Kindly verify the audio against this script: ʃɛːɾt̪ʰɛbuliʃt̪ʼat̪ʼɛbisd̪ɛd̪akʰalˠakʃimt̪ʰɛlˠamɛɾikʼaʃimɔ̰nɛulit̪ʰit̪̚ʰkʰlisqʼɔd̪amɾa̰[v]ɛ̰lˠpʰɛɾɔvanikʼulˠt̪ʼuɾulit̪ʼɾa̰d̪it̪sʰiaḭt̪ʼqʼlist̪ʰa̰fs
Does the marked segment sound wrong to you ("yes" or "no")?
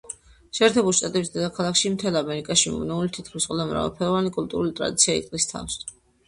no